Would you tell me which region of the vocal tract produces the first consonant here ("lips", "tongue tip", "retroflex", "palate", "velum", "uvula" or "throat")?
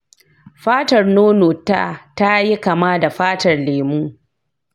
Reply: lips